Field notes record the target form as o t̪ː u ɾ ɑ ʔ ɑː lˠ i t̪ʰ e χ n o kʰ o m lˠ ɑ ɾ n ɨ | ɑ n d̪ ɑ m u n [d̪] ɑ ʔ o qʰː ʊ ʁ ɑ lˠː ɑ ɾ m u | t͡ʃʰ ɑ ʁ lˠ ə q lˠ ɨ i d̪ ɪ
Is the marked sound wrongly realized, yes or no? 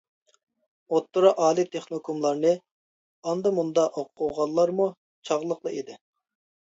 no